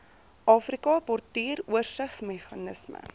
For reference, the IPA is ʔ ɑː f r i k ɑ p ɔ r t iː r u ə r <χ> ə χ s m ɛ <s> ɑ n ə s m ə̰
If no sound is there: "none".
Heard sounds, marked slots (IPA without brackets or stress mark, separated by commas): s, χ